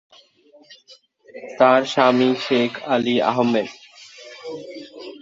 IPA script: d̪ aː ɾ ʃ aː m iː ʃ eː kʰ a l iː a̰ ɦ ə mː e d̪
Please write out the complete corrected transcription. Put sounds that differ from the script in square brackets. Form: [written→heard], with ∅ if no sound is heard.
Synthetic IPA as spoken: [d̪→t̪] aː ɾ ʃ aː m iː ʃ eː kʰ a l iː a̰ ɦ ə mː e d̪